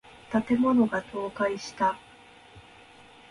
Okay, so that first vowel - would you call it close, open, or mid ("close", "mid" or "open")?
open